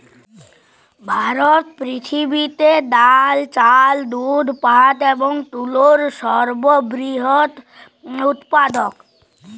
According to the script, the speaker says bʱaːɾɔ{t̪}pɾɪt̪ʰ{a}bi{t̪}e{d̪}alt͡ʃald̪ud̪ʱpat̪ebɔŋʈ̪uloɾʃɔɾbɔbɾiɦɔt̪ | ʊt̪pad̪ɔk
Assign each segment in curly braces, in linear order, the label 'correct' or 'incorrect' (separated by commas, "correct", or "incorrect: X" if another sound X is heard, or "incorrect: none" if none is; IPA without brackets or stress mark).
correct, incorrect: i, correct, correct